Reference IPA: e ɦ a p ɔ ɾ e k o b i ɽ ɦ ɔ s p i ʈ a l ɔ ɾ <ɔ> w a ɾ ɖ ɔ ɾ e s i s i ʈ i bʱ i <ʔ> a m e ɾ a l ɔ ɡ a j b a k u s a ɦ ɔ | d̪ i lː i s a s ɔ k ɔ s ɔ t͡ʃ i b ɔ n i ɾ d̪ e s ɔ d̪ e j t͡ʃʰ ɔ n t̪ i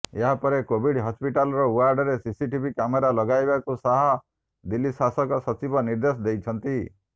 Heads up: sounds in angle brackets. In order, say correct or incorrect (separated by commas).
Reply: correct, incorrect